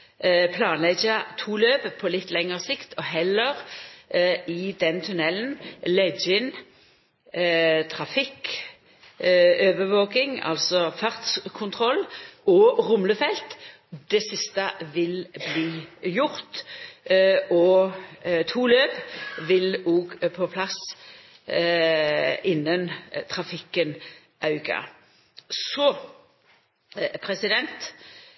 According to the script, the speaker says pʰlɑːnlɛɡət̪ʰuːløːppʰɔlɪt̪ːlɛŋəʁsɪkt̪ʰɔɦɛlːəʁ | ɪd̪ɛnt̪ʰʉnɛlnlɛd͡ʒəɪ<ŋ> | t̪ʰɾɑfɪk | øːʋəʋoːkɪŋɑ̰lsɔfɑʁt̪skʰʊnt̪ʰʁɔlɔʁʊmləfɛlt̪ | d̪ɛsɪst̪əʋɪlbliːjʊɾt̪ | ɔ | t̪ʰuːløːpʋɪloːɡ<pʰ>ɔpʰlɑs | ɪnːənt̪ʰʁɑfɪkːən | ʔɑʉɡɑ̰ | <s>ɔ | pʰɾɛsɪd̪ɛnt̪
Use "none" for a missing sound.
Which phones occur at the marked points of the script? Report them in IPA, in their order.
n, pʰ, s

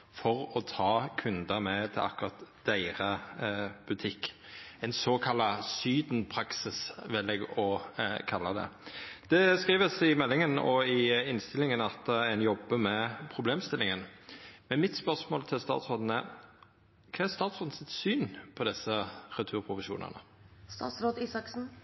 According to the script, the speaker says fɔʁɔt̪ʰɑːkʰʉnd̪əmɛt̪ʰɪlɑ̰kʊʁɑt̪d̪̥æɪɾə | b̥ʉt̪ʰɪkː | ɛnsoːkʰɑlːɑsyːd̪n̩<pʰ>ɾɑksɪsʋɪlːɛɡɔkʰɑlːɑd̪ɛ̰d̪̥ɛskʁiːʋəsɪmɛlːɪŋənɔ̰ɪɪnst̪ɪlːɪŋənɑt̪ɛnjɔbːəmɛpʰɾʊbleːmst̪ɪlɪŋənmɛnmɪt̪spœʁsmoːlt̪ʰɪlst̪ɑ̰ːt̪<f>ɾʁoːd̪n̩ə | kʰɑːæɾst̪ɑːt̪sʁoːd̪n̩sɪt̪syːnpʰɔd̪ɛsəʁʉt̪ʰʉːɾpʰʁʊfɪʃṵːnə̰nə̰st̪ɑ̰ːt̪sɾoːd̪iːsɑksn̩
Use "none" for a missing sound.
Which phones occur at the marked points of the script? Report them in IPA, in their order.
pʰ, s

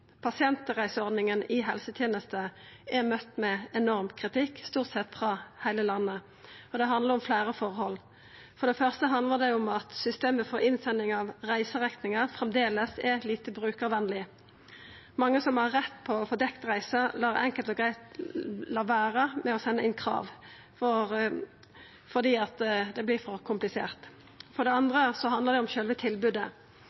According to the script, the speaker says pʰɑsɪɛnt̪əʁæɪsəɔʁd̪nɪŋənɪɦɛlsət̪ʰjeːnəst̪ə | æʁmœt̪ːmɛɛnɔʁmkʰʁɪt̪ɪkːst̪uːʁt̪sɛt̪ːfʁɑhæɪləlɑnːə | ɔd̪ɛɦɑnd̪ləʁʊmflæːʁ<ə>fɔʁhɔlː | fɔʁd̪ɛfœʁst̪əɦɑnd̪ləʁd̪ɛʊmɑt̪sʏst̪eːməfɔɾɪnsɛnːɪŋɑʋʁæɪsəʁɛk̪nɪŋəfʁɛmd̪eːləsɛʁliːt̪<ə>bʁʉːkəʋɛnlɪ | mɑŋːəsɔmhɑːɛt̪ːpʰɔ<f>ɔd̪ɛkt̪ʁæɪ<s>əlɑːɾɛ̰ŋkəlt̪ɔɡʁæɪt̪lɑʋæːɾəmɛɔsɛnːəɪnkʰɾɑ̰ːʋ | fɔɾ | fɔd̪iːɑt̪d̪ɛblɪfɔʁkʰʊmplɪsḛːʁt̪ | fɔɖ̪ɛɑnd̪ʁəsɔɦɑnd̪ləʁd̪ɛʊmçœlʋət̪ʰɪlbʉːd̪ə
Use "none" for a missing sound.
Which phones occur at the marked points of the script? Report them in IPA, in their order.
ə, ə, f, s

